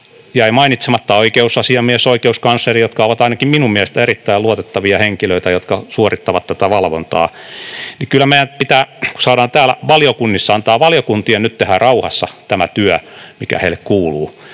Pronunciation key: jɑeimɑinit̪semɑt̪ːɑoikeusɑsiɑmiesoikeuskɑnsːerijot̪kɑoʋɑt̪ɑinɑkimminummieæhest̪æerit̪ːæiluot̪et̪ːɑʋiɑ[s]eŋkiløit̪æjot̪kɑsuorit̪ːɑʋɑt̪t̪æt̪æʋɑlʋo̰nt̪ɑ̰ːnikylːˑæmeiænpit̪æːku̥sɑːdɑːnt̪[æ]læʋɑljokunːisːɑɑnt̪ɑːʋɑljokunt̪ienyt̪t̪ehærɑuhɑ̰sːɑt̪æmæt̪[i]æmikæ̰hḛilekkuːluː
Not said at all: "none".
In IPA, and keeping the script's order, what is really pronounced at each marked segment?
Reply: h, æː, y

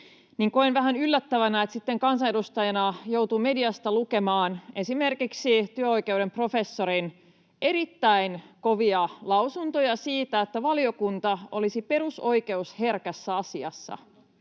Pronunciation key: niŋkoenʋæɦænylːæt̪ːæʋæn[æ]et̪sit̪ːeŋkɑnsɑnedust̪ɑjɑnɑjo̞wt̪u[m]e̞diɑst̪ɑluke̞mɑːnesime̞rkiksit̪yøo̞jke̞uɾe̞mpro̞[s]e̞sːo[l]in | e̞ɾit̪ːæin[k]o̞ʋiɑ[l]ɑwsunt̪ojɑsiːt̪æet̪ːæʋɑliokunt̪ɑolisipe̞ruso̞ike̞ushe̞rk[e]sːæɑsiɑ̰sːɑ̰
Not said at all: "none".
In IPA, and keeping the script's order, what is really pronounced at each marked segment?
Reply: æ, m, f, ɾ, k, l, æ

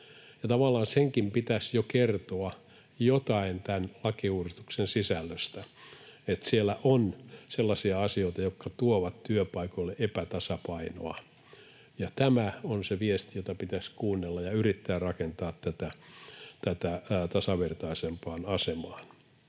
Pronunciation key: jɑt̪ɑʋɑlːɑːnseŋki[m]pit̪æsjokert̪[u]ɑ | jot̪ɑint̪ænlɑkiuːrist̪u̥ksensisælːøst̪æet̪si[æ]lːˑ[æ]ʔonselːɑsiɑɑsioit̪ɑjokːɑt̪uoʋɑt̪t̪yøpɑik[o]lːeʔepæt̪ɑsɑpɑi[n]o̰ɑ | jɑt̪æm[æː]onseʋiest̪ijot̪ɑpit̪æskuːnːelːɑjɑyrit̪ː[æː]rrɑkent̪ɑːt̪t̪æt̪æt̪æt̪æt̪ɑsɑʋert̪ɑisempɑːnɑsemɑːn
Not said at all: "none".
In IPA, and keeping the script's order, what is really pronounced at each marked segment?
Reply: m, o, e, æ, o, n, æ, æː

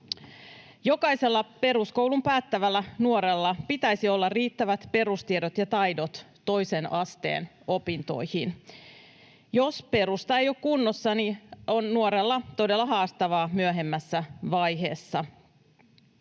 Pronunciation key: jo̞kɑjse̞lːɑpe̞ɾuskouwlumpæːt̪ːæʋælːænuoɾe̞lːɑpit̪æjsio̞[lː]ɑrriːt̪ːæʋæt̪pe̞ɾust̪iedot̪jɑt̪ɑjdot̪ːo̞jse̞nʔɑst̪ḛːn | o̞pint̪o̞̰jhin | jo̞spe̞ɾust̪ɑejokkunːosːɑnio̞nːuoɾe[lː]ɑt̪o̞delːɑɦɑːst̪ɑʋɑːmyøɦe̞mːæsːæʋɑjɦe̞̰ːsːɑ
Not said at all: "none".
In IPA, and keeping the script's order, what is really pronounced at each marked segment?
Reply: lː, lː

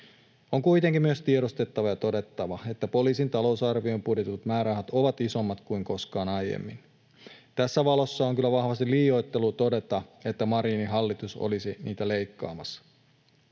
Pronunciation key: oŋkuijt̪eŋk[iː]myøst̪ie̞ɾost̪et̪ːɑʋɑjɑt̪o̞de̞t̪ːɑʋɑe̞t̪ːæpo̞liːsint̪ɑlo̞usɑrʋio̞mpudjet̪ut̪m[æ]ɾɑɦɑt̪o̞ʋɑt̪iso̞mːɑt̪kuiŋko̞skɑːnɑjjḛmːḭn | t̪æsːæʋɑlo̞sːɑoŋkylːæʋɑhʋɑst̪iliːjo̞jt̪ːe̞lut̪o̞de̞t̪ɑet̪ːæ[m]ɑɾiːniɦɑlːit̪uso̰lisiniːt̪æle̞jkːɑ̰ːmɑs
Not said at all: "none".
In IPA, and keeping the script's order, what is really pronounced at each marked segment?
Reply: i, æː, m

